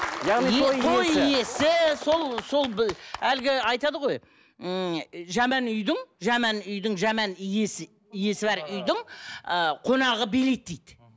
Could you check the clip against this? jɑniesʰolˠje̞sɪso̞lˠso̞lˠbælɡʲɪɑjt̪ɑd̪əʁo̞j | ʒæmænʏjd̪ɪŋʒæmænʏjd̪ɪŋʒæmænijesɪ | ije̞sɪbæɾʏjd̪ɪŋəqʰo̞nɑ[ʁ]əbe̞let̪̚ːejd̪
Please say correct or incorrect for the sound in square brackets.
correct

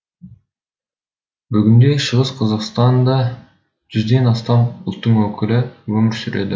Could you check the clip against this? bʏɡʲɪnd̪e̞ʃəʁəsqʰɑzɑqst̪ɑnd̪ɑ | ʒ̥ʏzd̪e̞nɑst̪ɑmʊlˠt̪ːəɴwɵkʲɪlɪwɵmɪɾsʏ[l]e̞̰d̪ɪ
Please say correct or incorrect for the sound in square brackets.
incorrect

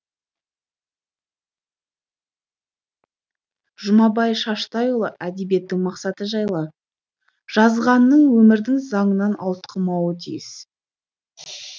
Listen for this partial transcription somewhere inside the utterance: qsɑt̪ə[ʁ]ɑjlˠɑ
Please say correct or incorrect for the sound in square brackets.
incorrect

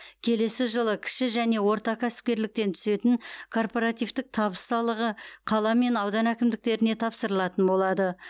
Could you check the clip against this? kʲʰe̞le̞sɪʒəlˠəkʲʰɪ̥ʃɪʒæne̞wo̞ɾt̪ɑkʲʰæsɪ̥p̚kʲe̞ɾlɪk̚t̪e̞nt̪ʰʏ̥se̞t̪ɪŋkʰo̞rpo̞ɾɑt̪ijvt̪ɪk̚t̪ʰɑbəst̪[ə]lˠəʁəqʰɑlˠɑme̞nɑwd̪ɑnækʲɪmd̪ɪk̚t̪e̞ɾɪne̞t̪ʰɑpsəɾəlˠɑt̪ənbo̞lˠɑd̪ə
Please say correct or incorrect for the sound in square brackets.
incorrect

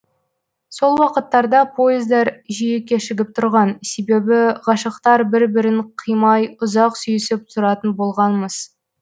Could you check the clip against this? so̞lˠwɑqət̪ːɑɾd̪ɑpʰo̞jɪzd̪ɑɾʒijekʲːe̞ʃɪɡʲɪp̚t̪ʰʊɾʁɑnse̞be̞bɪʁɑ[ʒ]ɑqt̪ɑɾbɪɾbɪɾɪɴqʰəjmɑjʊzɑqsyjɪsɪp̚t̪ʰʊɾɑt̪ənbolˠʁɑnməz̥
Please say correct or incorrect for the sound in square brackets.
incorrect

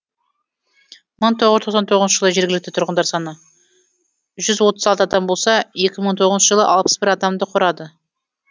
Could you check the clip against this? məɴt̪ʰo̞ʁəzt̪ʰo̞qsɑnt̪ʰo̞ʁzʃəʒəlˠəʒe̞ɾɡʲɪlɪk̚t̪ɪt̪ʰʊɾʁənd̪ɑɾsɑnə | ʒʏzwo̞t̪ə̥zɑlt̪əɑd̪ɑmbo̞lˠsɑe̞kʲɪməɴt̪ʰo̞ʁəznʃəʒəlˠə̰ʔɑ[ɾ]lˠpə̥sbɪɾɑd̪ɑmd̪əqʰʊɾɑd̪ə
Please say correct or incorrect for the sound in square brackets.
incorrect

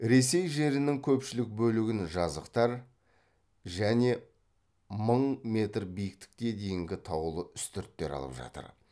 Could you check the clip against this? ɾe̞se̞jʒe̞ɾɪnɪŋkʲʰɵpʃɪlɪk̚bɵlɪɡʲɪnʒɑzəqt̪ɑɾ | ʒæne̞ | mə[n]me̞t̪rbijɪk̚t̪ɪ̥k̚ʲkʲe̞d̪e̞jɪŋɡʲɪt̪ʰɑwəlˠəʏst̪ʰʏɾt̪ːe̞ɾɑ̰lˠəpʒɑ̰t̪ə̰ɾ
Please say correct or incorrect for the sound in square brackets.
incorrect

